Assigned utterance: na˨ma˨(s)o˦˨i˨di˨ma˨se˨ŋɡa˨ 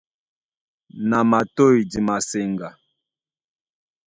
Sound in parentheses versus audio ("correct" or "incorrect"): incorrect